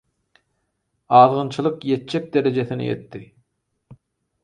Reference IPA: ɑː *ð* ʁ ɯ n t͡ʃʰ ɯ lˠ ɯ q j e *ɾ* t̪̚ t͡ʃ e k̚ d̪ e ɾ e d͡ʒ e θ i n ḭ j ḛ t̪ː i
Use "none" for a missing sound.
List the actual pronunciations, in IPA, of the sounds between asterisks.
ð, none

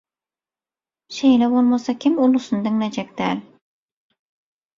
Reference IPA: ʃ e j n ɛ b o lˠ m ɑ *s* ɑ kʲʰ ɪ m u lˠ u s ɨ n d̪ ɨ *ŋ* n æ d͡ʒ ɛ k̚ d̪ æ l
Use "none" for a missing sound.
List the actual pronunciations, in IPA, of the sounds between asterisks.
s, ŋ

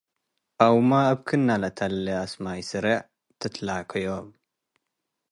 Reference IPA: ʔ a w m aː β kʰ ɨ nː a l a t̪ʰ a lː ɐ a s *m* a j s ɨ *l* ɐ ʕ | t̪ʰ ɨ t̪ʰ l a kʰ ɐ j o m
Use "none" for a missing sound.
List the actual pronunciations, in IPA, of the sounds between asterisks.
m, ɾ

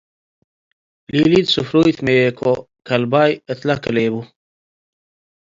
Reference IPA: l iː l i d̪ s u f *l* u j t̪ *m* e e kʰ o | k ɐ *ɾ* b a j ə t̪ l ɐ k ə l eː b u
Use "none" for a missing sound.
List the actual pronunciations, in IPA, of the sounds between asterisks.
ɾ, m, l

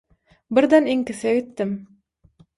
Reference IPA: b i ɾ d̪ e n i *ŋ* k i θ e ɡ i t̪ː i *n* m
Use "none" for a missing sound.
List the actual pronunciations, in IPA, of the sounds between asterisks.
ŋ, none

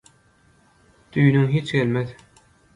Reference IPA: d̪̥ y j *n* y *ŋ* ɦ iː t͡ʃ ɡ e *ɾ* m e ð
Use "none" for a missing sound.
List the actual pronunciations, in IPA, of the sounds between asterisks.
n, ŋ, l

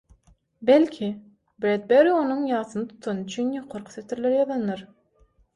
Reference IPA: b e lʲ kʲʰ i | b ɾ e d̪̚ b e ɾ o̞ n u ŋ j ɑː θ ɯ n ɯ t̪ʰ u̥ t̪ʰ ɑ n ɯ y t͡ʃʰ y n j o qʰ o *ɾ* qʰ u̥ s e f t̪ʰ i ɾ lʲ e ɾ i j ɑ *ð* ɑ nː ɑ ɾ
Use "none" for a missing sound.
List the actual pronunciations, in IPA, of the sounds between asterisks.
ɾ, ð

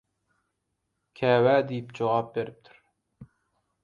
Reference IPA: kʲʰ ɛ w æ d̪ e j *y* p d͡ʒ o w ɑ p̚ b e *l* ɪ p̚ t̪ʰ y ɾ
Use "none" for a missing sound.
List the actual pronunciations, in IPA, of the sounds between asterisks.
i, ɾ

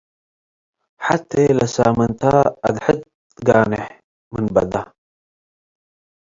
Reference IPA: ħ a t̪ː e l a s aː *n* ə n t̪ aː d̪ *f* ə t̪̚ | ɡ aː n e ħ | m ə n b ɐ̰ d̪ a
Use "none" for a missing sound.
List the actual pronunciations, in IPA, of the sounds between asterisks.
m, ħ

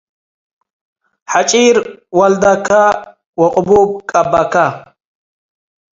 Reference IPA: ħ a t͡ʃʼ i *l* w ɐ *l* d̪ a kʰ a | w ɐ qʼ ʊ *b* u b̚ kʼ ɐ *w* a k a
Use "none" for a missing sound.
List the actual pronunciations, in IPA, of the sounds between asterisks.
ɾ, l, b, b

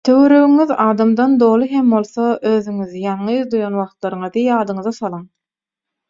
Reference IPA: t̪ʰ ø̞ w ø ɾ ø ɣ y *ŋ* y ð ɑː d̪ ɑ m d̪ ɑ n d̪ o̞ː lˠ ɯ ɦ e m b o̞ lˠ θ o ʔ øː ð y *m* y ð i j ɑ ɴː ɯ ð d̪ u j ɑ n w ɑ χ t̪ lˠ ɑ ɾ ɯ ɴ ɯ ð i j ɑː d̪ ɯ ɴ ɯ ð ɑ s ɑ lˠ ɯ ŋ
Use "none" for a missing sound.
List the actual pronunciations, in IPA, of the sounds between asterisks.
ŋ, ŋ

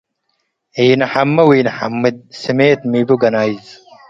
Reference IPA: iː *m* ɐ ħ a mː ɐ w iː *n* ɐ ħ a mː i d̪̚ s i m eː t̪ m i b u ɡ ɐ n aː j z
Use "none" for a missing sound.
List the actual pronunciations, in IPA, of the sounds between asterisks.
n, n

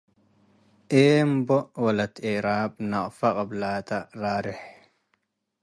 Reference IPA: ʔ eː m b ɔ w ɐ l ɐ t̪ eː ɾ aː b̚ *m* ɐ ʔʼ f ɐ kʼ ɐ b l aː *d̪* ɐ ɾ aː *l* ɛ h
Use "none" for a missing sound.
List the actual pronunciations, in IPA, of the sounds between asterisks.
n, t̪, ɾ

